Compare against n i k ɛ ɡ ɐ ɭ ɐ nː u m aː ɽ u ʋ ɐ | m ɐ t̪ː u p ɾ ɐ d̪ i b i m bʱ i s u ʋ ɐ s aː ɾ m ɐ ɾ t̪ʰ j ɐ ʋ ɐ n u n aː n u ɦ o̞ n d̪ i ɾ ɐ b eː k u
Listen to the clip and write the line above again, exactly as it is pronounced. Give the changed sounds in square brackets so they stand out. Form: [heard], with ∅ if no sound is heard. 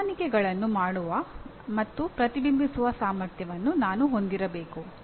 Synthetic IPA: n i k ɛ ɡ ɐ ɭ ɐ nː u m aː ɽ u ʋ ɐ | m ɐ t̪ː u p ɾ ɐ [t̪] i b i m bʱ i s u ʋ ɐ s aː [∅] m ɐ ɾ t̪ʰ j ɐ ʋ ɐ [nː] u n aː n u ɦ o̞ n d̪ i ɾ ɐ b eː k u